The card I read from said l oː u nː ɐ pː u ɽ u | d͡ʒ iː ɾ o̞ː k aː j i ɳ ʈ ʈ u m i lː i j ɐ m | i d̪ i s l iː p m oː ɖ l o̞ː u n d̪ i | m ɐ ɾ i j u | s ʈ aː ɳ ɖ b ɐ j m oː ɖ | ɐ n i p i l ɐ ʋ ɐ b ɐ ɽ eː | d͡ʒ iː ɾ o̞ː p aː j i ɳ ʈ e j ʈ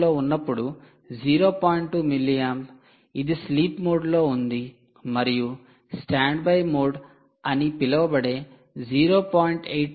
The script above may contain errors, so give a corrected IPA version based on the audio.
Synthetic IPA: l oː u nː ɐ pː u ɽ u | d͡ʒ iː ɾ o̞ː p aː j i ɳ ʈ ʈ u m i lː i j ɐ m | i d̪ i s l iː p m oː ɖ l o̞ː u n d̪ i | m ɐ ɾ i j u | s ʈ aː ɳ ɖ b ɐ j m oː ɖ | ɐ n i p i l ɐ ʋ ɐ b ɐ ɽ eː | d͡ʒ iː ɾ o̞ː p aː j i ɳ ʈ e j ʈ